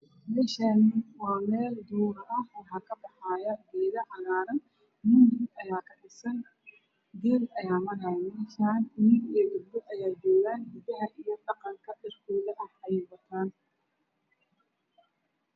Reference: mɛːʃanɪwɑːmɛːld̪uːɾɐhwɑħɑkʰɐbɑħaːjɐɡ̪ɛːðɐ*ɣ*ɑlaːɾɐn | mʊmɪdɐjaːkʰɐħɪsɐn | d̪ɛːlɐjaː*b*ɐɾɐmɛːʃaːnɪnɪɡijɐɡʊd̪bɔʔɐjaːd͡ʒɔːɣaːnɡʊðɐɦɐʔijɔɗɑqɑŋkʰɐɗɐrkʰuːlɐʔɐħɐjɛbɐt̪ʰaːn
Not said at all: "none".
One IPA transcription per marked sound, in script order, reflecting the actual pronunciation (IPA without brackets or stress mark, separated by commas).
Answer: ʕ, m